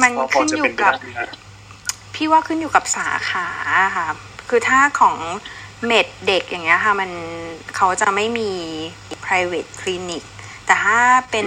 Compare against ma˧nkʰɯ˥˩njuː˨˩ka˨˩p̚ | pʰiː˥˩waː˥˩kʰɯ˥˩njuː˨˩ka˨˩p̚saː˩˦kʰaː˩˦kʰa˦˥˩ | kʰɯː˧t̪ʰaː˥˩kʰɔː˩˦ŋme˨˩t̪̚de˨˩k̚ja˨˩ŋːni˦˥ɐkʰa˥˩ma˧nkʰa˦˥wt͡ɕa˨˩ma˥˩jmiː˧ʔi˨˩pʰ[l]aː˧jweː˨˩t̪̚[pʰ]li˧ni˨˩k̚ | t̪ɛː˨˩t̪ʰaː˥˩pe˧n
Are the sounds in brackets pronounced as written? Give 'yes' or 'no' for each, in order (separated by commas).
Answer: no, no